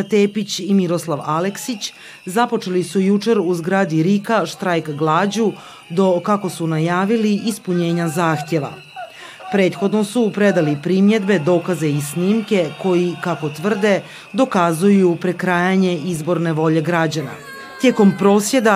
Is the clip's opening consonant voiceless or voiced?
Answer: voiceless